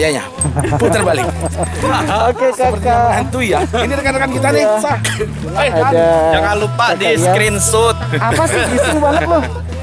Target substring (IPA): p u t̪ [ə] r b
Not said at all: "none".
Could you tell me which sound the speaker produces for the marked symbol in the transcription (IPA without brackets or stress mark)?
ə